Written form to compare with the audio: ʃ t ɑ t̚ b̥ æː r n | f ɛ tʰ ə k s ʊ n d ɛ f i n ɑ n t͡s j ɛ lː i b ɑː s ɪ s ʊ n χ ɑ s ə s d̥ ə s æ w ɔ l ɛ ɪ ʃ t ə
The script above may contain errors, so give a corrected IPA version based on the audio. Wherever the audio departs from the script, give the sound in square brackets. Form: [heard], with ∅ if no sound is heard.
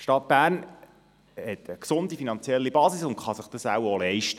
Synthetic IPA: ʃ t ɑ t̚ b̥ æː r n | [h] ɛ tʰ ə k s ʊ n d [i] f i n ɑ n t͡s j ɛ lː i b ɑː s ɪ s ʊ n χ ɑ s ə [χ] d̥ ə s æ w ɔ l ɛ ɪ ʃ t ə

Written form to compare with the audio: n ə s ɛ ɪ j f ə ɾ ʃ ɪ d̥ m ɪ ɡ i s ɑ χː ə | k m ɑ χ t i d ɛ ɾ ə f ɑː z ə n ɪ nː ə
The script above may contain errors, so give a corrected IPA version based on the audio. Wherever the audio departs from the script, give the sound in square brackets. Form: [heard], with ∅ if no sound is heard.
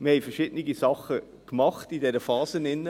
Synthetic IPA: [m] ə [h] ɛ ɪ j f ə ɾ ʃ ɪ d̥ [n] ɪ ɡ i s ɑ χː ə | k m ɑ χ t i d ɛ ɾ ə f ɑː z ə n ɪ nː ə

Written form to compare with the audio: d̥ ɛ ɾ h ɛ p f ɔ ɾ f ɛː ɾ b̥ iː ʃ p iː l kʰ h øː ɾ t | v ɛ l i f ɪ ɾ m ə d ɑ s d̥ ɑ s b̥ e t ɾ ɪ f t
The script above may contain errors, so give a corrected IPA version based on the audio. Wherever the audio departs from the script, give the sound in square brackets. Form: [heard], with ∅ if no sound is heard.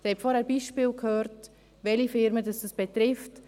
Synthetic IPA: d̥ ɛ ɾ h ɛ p f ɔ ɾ [h] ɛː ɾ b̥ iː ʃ p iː l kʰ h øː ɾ t | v ɛ l i f ɪ ɾ m ə d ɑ s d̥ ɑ s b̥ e t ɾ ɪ f t

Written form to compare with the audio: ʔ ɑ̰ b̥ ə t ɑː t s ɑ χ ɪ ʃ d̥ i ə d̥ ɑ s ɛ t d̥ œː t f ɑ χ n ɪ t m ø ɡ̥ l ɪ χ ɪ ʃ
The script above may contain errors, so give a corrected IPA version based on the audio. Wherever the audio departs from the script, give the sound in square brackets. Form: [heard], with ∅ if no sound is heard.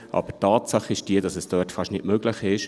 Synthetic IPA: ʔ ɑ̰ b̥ ə t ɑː t s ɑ χ ɪ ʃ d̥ i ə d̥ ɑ s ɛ [s] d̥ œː t f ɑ [ʃ] n ɪ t m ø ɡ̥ l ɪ χ ɪ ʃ

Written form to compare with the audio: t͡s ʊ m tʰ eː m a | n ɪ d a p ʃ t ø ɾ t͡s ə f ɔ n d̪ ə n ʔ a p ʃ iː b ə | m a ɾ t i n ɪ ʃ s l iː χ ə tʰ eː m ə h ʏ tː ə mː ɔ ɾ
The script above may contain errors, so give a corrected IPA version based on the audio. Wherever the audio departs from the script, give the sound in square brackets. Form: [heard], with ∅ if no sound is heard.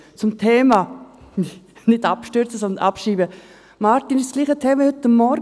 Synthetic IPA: t͡s ʊ m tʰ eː m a | n ɪ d a p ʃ t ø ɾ t͡s ə [s] ɔ n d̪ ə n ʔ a p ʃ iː b ə | m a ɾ t i n ɪ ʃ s l iː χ ə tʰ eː m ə h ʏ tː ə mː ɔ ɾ

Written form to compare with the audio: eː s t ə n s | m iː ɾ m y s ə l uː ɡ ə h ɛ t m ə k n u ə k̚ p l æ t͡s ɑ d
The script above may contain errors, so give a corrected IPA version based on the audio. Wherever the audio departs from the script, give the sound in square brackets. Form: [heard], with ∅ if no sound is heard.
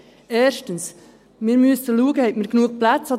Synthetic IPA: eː [ʃ] t ə n s | m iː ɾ m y s ə l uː ɡ ə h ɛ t m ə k n u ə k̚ p l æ t͡s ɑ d

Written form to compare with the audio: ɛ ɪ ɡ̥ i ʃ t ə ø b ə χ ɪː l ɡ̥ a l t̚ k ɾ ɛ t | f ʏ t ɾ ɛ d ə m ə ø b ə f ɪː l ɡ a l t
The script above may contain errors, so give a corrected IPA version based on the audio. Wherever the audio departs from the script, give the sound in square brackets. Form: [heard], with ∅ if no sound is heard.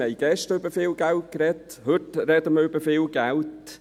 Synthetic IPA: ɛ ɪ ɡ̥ [ɛ] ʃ t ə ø b ə [f] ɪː l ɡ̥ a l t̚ k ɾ ɛ t | [h] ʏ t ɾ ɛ d ə m ə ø b ə f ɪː l ɡ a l t

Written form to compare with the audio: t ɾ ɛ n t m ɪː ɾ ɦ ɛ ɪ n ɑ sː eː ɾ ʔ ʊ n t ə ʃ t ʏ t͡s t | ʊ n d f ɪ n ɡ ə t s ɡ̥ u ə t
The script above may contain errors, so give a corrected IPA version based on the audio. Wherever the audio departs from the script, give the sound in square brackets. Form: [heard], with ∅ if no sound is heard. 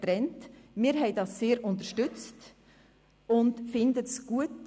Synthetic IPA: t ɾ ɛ n t m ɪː ɾ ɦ ɛ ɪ [d] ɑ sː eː ɾ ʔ ʊ n t ə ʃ t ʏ t͡s t | ʊ n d f ɪ n [d] ə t s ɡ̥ u ə t

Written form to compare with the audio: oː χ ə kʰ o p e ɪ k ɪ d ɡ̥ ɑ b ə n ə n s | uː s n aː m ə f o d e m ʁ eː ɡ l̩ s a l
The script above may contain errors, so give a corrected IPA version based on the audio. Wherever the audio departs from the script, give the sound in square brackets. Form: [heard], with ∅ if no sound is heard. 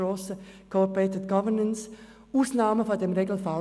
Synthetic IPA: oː [s] ə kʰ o p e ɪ [t] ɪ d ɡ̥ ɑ [v] ə n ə n s | uː s n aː m ə f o d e m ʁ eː ɡ l̩ [f] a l

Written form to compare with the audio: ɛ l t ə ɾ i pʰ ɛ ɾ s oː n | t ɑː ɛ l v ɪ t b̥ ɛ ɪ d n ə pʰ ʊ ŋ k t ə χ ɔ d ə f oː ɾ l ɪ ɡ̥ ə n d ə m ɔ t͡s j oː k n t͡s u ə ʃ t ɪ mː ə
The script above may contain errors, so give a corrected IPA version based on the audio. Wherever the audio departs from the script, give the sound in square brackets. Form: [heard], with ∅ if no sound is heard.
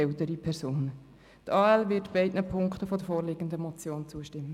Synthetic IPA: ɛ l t ə ɾ i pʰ ɛ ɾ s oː n | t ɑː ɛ l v ɪ t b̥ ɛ ɪ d n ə pʰ ʊ ŋ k t ə [f] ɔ d ə f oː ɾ l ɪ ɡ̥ ə n d ə m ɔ t͡s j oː [∅] n t͡s u ə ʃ t ɪ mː ə

